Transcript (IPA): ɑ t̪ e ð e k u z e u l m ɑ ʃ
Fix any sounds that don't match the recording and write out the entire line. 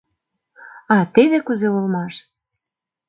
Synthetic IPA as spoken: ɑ t̪ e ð e k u z e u l m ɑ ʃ